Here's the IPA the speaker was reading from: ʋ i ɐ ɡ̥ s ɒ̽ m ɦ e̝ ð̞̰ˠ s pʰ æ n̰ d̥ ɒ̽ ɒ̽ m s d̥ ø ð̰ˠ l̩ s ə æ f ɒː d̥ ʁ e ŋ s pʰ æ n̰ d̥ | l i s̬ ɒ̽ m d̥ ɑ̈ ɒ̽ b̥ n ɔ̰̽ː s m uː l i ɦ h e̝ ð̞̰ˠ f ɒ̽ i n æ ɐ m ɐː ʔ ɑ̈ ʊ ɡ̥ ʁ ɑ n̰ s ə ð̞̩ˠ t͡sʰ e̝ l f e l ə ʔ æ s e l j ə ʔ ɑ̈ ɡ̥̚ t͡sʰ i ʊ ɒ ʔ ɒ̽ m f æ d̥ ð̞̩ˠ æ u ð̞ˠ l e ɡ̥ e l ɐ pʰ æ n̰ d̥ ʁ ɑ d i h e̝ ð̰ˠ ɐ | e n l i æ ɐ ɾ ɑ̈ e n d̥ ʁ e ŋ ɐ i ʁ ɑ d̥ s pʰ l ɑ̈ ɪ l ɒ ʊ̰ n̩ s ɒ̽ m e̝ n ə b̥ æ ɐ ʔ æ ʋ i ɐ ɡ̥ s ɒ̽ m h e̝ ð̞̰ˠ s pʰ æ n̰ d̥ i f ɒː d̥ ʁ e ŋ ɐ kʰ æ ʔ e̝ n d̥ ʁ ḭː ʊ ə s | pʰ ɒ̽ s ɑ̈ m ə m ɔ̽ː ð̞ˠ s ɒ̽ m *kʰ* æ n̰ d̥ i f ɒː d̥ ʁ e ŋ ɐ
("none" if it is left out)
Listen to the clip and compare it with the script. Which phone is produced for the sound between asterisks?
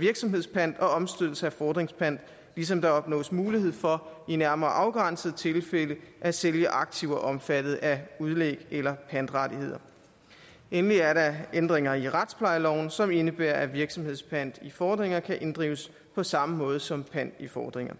pʰ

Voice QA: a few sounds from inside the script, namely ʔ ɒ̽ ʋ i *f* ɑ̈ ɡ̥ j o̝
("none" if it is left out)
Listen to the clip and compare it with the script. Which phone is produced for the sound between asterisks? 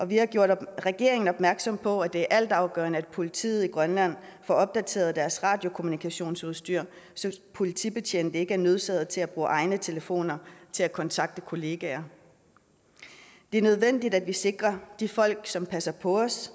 h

